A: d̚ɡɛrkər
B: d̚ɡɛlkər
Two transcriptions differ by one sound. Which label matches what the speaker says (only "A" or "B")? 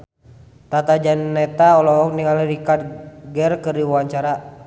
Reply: A